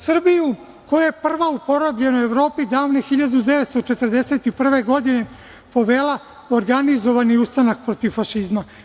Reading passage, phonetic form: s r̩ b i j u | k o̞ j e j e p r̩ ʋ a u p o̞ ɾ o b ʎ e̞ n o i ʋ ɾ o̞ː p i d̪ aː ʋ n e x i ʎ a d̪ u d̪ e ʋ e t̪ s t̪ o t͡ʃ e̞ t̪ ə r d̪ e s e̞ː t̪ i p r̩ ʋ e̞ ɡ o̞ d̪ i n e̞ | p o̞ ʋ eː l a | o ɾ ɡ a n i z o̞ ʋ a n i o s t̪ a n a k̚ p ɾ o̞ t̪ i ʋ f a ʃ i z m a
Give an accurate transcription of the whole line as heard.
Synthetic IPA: s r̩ b i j u | k o̞ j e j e p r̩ ʋ a u p o̞ ɾ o b ʎ e̞ n o e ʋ ɾ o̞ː p i d̪ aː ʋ n e x i ʎ a d̪ u d̪ e ʋ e t̪ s t̪ o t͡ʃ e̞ t̪ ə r d̪ e s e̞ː t̪ i p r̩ ʋ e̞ ɡ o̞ d̪ i n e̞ | p o̞ ʋ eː l a | o ɾ ɡ a n i z o̞ ʋ a n i u s t̪ a n a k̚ p ɾ o̞ t̪ i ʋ f a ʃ i z m a